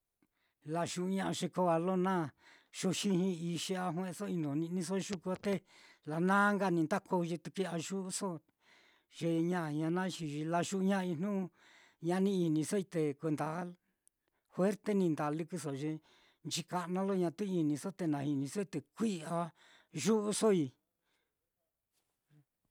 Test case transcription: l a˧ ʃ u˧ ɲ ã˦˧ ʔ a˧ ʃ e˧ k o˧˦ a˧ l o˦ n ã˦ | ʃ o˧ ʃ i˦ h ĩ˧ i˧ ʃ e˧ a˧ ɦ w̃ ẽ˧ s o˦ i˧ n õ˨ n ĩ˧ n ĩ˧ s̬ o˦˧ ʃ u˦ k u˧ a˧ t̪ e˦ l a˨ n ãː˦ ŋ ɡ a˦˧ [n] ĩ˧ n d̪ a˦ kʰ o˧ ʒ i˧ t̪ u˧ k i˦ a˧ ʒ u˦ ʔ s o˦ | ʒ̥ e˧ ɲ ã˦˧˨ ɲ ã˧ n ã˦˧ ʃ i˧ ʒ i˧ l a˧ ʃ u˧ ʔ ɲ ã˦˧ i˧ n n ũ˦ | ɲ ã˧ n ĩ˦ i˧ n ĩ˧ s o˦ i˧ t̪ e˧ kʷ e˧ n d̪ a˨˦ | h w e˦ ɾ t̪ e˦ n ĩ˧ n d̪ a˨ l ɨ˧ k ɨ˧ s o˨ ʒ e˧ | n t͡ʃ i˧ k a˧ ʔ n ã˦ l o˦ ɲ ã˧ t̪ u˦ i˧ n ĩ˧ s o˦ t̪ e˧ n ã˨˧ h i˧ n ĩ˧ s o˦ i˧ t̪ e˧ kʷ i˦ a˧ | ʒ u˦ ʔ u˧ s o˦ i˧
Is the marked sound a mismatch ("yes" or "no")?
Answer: no